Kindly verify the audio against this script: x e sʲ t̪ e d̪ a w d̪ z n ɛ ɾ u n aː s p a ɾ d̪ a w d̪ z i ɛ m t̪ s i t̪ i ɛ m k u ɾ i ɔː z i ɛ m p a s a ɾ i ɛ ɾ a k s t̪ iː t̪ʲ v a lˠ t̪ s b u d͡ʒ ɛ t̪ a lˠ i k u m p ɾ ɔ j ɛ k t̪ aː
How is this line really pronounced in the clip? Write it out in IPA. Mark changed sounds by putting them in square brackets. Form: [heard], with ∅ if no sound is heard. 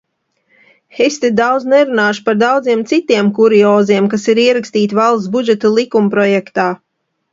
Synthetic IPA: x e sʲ t̪ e d̪ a w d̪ z n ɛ ɾ u n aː [ʃ] p a ɾ d̪ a w d̪ z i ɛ m t̪ s i t̪ i ɛ m k u ɾ i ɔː z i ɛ m [k] a s [i] ɾ i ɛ ɾ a k s t̪ iː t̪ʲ v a lˠ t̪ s b u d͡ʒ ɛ t̪ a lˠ i k u m p ɾ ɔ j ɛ k t̪ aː